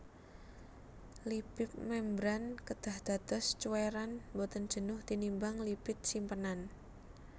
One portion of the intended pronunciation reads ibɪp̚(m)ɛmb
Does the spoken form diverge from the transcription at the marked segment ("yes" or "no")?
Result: no